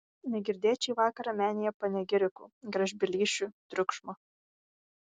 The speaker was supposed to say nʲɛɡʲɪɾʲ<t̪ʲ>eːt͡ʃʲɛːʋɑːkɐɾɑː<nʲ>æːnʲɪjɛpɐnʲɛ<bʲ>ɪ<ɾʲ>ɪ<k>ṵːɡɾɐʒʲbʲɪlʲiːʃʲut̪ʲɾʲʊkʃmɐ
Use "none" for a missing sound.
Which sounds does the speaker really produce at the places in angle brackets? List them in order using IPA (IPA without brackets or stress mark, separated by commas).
d̪ʲ, mʲ, ɡʲ, ɾʲ, k